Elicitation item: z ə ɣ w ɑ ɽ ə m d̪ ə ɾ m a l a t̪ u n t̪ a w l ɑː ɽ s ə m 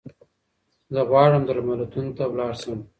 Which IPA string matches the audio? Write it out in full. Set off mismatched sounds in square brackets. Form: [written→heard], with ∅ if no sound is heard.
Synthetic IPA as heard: z ə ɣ w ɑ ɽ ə m d̪ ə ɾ m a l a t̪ u n t̪ a w l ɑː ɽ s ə m